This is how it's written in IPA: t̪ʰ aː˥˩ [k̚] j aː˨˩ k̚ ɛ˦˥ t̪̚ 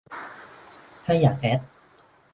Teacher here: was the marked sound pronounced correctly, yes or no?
no